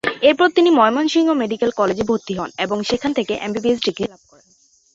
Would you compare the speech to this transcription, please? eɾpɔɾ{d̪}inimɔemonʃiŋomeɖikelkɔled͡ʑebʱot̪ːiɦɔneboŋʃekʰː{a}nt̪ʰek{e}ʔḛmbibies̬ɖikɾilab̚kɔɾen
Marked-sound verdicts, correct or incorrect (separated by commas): incorrect, correct, correct